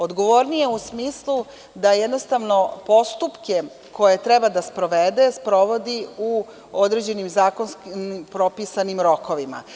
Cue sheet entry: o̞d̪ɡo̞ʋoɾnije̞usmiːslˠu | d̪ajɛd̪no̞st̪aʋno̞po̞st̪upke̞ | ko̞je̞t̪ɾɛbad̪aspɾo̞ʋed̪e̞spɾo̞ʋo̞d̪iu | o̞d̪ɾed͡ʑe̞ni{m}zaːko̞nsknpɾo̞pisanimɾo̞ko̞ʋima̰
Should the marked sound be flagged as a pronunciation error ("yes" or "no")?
no